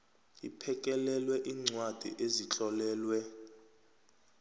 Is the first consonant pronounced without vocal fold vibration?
yes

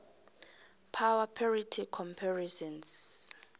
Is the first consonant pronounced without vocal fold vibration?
yes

